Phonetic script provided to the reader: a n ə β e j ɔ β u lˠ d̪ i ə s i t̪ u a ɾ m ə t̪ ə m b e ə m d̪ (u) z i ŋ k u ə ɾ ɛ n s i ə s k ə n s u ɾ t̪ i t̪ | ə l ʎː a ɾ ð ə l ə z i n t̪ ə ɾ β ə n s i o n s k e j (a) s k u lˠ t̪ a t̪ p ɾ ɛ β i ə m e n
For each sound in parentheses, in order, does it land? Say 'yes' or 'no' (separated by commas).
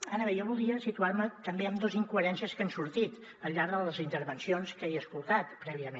no, no